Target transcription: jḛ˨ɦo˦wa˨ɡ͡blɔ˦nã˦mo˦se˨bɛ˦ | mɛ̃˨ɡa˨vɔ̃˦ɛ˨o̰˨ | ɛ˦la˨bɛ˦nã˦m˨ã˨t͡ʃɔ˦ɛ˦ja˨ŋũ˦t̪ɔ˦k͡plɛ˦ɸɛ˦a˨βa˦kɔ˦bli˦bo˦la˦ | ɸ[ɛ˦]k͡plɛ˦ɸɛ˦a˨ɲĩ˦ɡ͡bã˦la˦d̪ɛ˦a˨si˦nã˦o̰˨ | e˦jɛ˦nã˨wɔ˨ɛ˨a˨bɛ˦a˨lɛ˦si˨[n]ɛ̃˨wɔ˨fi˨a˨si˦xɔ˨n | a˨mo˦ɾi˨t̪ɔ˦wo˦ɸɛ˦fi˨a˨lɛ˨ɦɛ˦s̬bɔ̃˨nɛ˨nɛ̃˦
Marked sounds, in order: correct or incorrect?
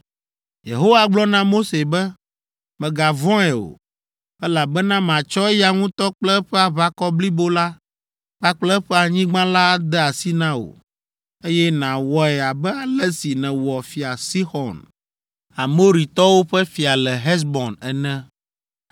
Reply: incorrect, correct

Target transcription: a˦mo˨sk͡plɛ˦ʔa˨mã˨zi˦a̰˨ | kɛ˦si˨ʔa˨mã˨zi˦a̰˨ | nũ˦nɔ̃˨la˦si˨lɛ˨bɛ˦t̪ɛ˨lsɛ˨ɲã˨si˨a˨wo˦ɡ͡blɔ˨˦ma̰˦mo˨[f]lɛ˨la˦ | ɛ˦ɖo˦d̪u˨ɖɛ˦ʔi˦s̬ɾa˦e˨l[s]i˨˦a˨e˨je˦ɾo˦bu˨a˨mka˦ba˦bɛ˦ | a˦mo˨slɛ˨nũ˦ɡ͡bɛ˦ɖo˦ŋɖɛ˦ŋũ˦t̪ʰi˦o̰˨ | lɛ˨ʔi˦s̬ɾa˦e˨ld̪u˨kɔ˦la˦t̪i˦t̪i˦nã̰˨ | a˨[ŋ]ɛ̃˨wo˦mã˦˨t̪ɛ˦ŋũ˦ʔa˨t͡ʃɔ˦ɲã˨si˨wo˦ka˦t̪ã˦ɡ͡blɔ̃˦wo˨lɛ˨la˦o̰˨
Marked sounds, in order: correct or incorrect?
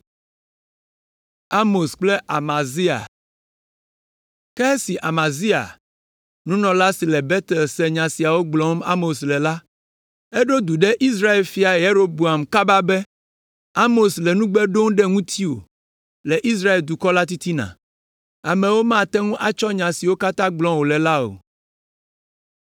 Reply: incorrect, incorrect, incorrect

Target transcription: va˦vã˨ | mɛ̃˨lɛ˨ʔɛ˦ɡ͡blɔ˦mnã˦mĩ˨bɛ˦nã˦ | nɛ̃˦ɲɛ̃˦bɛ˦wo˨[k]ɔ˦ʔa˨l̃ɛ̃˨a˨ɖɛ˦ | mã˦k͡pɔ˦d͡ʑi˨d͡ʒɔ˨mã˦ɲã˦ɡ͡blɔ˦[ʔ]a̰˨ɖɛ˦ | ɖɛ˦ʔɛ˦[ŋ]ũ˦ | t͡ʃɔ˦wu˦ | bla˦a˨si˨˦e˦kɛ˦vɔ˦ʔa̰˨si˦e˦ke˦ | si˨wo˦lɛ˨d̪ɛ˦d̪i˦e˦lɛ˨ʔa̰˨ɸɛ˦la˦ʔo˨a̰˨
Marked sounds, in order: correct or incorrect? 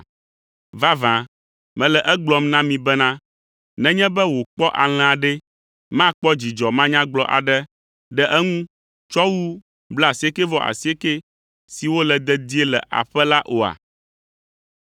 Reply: incorrect, correct, correct

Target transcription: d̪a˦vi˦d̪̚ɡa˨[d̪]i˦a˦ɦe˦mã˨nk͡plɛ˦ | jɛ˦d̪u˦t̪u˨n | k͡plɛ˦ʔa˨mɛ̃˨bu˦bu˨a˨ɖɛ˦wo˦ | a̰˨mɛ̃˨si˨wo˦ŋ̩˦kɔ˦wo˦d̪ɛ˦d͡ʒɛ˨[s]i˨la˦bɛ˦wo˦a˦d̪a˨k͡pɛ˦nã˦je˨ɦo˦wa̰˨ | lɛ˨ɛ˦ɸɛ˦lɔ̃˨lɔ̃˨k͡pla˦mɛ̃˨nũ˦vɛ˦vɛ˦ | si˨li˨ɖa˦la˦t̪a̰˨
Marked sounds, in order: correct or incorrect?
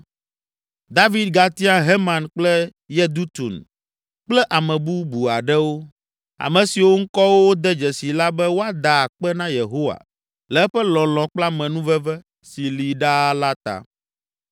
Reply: incorrect, correct

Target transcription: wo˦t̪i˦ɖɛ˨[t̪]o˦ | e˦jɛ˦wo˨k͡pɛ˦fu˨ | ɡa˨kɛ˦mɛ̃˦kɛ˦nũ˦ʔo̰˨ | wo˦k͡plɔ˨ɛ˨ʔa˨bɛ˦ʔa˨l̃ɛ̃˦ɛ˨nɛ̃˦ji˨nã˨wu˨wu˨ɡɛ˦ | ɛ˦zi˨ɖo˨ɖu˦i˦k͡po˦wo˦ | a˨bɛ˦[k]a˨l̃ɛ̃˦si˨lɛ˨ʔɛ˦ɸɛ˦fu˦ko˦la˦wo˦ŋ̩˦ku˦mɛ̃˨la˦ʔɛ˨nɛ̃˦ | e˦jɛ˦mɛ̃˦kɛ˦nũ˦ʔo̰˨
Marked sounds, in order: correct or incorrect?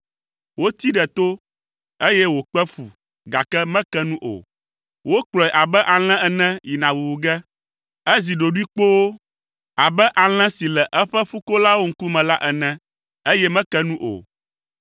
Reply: correct, incorrect

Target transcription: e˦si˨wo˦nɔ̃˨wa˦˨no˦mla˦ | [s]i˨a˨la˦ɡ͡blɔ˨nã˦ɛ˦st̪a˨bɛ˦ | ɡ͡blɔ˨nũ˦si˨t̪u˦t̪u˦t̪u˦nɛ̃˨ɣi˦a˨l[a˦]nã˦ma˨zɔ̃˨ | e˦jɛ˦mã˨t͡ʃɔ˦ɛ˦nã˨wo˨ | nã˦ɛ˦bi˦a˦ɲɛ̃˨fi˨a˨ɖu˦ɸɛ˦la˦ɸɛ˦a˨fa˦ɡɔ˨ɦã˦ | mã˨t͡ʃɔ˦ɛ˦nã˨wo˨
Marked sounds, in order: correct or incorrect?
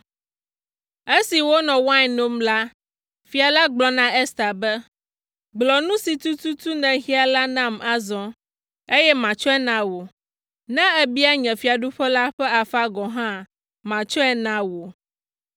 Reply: incorrect, correct

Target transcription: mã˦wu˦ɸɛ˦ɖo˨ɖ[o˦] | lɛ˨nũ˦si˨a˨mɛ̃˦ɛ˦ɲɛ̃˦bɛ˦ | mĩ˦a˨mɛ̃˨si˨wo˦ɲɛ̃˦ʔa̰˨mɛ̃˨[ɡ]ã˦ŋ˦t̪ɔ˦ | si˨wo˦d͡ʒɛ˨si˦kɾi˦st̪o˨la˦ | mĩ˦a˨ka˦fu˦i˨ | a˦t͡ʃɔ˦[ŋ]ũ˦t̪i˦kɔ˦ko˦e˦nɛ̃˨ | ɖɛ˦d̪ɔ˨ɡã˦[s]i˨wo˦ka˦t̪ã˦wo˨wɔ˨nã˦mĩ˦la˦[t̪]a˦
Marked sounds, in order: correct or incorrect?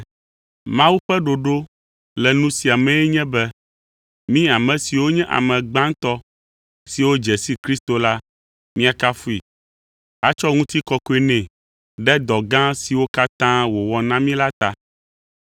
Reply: correct, incorrect, correct, correct, correct

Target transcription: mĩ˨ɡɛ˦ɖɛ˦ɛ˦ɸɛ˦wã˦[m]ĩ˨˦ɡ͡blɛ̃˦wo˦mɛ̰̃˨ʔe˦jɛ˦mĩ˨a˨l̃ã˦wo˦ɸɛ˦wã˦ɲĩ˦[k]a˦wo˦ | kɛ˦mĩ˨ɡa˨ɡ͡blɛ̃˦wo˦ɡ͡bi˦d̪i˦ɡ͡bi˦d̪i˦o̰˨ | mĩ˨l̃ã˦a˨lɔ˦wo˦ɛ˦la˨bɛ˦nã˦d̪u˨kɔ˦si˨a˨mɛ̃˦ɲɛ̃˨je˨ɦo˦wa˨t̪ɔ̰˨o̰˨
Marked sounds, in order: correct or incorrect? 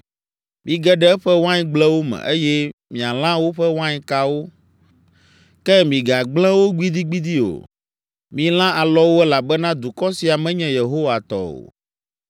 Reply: incorrect, correct

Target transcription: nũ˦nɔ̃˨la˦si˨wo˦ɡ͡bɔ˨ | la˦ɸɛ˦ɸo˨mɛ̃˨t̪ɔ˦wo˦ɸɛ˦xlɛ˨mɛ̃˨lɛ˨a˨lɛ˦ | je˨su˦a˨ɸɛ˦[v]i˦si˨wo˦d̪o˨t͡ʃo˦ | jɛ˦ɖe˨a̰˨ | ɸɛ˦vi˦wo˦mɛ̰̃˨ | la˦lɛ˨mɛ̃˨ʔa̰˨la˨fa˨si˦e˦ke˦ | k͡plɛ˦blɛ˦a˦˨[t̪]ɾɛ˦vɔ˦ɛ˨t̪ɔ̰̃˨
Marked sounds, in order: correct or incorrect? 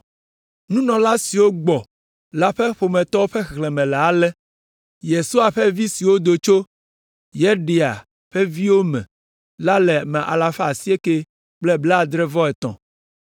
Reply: correct, incorrect

